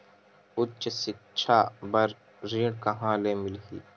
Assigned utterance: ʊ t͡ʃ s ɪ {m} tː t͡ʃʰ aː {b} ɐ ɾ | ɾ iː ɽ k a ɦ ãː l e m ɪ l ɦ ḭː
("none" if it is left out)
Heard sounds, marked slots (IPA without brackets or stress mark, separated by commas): none, b